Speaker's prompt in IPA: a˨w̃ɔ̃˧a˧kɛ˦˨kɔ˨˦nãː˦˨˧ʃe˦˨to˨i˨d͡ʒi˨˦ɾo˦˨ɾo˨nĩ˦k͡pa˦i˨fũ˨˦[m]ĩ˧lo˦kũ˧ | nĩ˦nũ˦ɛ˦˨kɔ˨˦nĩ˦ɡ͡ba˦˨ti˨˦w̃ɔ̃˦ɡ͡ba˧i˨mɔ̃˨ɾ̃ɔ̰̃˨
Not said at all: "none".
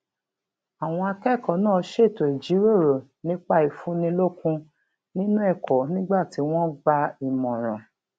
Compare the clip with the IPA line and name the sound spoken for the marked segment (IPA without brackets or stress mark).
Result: n